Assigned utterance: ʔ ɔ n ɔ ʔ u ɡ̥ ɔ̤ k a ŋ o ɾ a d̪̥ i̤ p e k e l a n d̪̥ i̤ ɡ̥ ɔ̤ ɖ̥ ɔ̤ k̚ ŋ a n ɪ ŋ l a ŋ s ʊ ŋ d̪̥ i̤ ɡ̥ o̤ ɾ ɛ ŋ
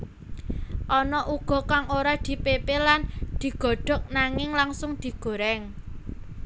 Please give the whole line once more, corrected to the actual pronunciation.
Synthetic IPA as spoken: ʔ ɔ n ɔ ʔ u ɡ̥ ɔ̤ k a ŋ o ɾ a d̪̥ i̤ p e p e l a n d̪̥ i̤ ɡ̥ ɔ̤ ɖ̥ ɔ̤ k̚ n a ŋ ɪ ŋ l a ŋ s ʊ ŋ d̪̥ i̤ ɡ̥ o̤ ɾ ɛ ŋ